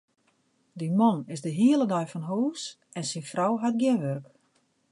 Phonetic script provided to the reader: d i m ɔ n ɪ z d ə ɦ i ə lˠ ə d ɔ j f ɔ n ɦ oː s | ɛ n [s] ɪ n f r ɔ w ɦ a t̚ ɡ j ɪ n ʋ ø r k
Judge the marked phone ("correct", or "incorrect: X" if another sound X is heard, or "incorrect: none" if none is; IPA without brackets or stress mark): correct